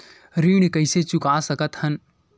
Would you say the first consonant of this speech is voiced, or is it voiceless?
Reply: voiced